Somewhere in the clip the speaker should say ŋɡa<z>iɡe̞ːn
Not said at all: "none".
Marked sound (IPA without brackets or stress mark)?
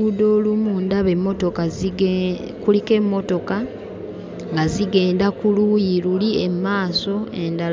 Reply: z